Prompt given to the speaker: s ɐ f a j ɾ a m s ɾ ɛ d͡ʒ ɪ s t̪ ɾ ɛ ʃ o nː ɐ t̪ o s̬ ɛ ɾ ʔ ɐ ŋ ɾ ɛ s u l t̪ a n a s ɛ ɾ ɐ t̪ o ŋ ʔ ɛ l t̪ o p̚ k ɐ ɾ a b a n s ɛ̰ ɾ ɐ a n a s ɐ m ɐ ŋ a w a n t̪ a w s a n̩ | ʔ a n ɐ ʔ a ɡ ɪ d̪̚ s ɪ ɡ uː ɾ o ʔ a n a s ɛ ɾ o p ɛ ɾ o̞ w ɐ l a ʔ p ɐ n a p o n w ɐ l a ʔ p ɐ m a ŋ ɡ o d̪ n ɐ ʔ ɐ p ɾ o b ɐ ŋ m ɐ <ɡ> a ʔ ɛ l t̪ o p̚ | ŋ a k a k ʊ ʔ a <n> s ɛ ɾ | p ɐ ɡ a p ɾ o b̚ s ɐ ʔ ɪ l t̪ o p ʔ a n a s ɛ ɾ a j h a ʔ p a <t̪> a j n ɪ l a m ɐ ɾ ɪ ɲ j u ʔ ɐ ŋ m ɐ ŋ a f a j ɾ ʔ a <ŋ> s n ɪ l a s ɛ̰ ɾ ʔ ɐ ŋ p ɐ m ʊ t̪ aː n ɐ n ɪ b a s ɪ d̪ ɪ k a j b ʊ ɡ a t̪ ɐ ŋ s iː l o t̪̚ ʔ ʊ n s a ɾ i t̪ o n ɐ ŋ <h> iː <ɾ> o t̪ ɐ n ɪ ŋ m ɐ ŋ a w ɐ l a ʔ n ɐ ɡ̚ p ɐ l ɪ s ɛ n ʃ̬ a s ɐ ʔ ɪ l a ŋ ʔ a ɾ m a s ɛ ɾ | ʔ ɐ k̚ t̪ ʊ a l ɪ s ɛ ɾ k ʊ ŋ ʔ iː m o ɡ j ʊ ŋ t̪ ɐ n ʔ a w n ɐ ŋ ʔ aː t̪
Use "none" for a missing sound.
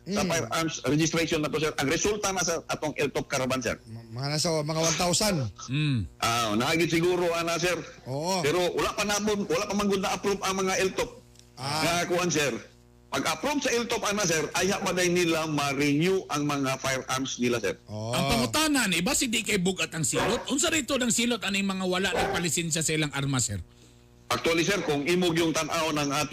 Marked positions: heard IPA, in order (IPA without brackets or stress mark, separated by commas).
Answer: ŋ, n, d̪, m, s, l